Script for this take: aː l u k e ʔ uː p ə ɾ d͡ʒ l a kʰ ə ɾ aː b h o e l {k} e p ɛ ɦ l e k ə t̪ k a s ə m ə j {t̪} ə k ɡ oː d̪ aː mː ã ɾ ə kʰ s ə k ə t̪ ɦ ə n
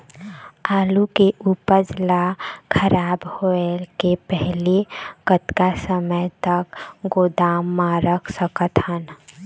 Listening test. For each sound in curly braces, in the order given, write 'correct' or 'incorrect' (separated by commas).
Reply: correct, correct